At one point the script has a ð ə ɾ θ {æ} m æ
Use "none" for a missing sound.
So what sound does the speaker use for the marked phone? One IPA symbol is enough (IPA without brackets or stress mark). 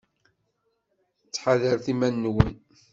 i